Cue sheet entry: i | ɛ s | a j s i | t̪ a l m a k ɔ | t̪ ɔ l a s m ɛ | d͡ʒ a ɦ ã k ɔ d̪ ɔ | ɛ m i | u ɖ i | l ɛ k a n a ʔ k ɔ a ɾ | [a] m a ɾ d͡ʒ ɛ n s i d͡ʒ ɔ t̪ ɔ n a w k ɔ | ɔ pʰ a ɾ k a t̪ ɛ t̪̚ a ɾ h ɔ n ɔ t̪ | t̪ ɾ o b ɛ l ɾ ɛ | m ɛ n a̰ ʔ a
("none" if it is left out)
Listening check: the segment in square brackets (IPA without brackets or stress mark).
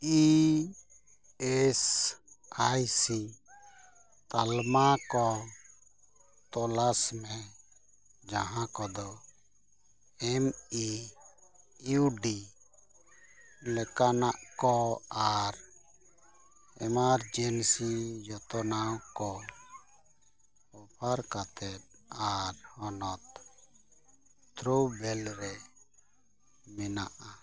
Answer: ɛ